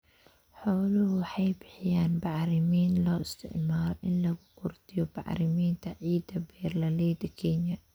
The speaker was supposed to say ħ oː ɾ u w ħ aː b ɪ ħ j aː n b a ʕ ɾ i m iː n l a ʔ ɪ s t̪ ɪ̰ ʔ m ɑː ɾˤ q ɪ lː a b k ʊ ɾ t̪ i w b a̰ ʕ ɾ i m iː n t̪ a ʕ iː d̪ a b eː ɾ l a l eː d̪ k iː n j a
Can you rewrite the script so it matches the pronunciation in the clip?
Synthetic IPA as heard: ħ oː l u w ħ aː b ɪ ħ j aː n b a ʕ ɾ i m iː n l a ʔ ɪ s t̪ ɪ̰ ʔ m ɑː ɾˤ ʔ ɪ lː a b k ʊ ɾ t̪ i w b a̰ ʕ ɾ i m iː n t̪ a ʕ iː d̪ a b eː ɾ l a l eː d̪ k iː n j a